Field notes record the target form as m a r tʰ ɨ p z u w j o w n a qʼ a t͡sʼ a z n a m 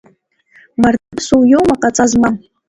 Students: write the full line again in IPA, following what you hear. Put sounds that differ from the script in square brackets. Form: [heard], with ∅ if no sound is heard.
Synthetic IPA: m a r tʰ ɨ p [s] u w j o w [m] a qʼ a t͡sʼ a z [m] a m